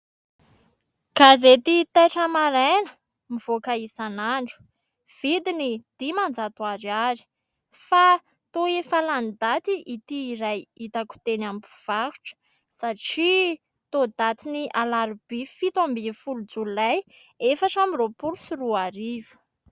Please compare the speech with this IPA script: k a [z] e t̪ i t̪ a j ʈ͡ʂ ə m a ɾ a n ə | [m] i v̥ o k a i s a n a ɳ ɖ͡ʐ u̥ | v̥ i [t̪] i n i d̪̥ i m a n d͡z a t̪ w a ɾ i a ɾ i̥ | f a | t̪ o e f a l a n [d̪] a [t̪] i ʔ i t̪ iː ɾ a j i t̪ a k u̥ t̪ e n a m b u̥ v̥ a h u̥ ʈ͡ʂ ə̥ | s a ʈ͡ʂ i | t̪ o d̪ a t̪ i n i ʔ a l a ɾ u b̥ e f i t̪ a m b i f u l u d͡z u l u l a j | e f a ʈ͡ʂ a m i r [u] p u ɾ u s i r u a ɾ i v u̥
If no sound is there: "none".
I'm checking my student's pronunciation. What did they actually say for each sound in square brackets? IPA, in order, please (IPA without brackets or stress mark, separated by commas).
z, m, d̪, d̪, t̪, o